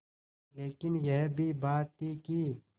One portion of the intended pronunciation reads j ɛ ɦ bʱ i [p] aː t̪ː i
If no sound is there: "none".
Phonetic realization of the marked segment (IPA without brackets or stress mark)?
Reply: b